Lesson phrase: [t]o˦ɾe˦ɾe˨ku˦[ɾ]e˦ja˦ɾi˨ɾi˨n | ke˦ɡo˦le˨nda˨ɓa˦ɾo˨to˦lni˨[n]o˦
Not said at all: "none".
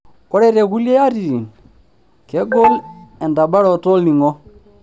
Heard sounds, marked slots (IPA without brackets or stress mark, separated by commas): k, l, ŋ